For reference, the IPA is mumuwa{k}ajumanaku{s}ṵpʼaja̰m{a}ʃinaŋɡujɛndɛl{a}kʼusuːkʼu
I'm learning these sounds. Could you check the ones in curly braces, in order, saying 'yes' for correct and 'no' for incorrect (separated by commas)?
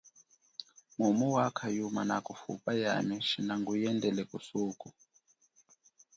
no, no, no, no